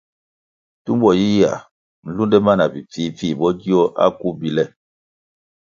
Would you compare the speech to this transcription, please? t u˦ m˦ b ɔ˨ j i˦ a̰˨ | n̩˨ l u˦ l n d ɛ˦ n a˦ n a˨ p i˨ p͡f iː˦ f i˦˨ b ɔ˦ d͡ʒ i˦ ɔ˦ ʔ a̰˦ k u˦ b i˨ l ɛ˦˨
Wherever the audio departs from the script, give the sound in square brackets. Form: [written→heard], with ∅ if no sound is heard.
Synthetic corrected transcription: t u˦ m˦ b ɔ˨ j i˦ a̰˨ | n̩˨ l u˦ [l→∅] n d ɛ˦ [n→m] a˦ n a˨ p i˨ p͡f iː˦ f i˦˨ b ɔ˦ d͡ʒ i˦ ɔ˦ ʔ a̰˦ k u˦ b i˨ l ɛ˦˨

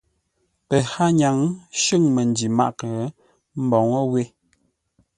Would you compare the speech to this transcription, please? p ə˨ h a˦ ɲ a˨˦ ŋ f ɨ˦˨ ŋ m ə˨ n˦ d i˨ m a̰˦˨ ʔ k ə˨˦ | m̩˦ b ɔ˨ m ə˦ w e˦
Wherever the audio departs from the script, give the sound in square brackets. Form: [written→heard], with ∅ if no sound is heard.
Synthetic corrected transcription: p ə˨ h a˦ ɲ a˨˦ ŋ [f→ʃ] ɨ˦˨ ŋ m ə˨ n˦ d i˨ m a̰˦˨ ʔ k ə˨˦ | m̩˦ b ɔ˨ [m→ŋ] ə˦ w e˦

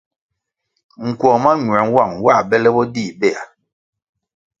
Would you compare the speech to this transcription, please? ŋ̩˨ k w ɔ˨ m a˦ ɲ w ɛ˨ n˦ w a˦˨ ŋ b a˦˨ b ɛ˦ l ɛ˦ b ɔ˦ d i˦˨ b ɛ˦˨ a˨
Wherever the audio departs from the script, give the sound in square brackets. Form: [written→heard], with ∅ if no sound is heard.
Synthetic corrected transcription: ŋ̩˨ k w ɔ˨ m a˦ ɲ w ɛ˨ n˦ w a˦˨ ŋ [b→w] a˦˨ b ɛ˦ l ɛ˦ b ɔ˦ d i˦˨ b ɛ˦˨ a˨

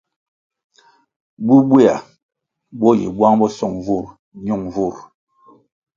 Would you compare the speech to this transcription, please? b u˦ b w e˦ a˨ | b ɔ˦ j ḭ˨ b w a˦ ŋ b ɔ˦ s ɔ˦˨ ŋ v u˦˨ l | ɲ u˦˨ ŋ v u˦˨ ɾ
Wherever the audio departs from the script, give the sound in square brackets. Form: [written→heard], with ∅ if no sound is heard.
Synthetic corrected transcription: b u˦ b w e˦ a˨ | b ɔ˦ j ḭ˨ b w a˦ ŋ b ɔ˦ s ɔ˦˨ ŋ v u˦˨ [l→ɾ] | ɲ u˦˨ ŋ v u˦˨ ɾ

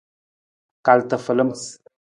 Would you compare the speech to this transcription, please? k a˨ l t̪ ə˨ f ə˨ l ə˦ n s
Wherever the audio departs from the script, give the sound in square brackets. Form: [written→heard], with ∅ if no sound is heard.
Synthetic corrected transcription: k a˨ l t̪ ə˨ f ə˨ l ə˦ [n→m] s

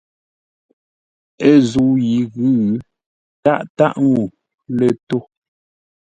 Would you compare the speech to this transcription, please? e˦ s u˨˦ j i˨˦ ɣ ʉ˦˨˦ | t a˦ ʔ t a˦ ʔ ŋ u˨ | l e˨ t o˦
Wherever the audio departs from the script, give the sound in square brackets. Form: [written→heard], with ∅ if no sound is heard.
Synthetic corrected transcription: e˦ [s→z] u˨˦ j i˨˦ ɣ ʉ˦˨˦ | t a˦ ʔ t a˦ ʔ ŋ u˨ | l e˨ t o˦

